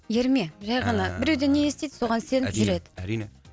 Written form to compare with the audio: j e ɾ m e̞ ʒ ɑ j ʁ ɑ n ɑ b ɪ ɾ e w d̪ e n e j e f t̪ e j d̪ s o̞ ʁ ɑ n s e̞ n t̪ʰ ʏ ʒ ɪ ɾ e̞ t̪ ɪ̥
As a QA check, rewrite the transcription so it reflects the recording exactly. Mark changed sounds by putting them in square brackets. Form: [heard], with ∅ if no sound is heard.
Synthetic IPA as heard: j e ɾ m e̞ ʒ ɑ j ʁ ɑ n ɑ b ɪ ɾ e w d̪ e n e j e [s] t̪ e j d̪ s o̞ ʁ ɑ n s e̞ n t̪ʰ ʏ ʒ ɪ ɾ e̞ [d̪] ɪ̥